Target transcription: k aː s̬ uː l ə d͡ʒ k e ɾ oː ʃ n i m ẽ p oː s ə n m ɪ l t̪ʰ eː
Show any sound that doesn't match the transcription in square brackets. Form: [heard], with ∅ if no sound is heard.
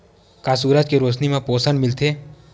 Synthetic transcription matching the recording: k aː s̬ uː [ɾ] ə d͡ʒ k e ɾ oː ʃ n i m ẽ p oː s ə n m ɪ l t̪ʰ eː